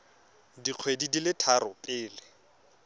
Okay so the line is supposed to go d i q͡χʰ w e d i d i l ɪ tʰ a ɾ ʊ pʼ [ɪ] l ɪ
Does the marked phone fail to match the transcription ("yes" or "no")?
yes